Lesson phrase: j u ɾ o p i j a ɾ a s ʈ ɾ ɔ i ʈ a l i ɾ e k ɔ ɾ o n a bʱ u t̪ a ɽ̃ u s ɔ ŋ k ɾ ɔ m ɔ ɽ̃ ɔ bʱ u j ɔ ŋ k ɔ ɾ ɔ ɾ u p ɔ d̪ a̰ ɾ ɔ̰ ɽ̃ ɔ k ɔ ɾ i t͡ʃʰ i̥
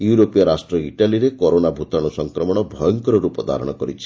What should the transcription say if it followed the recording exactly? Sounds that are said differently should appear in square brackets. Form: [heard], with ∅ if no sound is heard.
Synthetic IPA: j u ɾ o p i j a ɾ a s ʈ ɾ ɔ i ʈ a l i ɾ e k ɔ ɾ o n a bʱ u t̪ a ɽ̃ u s ɔ ŋ k ɾ ɔ m ɔ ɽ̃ ɔ bʱ [ɔ] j ɔ ŋ k ɔ ɾ ɔ ɾ u p ɔ d̪ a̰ ɾ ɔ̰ ɽ̃ ɔ k ɔ ɾ i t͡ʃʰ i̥

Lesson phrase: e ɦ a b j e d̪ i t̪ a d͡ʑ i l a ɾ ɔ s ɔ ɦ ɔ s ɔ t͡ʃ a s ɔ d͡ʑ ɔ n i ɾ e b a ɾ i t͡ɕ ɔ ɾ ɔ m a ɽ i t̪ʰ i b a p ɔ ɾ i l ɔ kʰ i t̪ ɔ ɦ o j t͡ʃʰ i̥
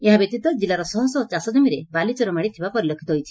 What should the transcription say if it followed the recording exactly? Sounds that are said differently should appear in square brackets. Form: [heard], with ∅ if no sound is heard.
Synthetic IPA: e ɦ a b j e [t̪] i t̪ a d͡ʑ i l a ɾ ɔ s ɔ ɦ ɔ s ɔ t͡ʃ a s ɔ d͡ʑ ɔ [m] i ɾ e b a [l] i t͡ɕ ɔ ɾ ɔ m a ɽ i t̪ʰ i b a p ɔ ɾ i l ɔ kʰ i t̪ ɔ ɦ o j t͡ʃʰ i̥

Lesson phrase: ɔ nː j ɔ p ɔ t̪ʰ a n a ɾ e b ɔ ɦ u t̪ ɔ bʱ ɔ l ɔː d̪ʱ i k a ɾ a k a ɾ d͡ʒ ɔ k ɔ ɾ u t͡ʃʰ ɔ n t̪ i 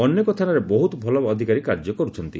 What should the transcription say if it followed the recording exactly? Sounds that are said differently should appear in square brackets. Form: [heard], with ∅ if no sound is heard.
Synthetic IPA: ɔ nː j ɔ [k] ɔ t̪ʰ a n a ɾ e b ɔ ɦ u t̪ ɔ bʱ ɔ l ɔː d̪ʱ i k a ɾ [i] k a ɾ d͡ʒ ɔ k ɔ ɾ u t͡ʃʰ ɔ n t̪ i

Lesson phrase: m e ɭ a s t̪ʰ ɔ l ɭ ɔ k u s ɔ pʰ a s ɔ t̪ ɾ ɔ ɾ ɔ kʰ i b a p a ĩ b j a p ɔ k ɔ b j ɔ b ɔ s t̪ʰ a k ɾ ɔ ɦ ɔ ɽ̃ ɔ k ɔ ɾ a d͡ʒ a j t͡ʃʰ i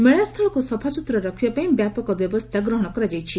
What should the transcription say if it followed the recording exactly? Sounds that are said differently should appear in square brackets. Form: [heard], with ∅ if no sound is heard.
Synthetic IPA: m e ɭ a s t̪ʰ ɔ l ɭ ɔ k u s ɔ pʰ a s [u] t̪ ɾ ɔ ɾ ɔ kʰ i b a p a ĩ b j a p ɔ k ɔ b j ɔ b ɔ s t̪ʰ a [ɡ] ɾ ɔ ɦ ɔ ɽ̃ ɔ k ɔ ɾ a d͡ʒ a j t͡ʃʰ i

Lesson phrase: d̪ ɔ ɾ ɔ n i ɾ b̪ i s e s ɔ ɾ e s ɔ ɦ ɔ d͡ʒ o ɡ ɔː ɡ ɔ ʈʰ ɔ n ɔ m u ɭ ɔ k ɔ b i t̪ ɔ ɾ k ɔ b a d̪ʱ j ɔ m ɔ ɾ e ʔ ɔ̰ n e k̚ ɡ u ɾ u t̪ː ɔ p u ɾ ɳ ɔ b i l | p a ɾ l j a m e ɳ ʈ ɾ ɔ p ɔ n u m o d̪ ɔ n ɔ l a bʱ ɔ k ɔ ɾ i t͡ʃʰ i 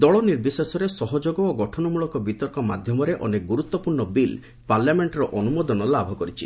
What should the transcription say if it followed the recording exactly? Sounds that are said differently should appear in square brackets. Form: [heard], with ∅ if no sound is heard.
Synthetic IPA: d̪ ɔ [ɭ] ɔ n i ɾ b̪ i s e s ɔ ɾ e s ɔ ɦ ɔ d͡ʒ o ɡ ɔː ɡ ɔ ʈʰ ɔ n ɔ m u ɭ ɔ k ɔ b i t̪ ɔ ɾ k ɔ [m] a d̪ʱ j ɔ m ɔ ɾ e ʔ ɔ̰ n e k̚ ɡ u ɾ u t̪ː ɔ p u ɾ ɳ ɔ b i l | p a ɾ l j a m e ɳ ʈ ɾ ɔ [ʔ] ɔ n u m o d̪ ɔ n ɔ l a bʱ ɔ k ɔ ɾ i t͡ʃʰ i

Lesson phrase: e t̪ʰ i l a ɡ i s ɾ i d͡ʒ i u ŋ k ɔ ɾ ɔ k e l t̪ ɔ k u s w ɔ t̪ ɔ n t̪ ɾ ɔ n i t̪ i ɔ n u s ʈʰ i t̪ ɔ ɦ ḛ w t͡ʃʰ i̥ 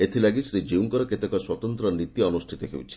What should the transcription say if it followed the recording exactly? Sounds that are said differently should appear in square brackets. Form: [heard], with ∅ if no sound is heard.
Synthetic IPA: e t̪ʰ i l a ɡ i s ɾ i d͡ʒ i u ŋ k ɔ ɾ ɔ k e [∅] t̪ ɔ k [ɔ] s w ɔ t̪ ɔ n t̪ ɾ ɔ n i t̪ i ɔ n u s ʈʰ i t̪ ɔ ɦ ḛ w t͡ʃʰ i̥

